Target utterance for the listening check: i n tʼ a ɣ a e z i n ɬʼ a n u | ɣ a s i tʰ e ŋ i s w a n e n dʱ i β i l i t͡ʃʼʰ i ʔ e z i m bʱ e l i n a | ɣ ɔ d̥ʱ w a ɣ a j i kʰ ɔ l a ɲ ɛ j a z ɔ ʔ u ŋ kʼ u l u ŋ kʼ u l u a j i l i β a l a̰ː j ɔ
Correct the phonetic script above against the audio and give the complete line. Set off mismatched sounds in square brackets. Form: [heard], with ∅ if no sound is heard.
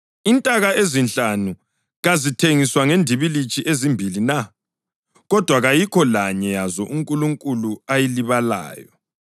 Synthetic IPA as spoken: i n tʼ a ɣ a e z i n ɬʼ a n u | ɣ a [z] i tʰ e ŋ i s w a [ŋ] e n dʱ i β i l i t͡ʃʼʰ i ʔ e z i m bʱ [i] l i n a | ɣ ɔ d̥ʱ w a ɣ a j i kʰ ɔ l a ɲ ɛ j a z ɔ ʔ u ŋ kʼ u l u ŋ kʼ u l u a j i l i β a l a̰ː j ɔ